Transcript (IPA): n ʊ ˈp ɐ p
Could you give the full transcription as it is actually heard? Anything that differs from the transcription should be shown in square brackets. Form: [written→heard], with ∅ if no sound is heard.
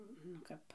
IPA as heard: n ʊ [ˈp→ˈk] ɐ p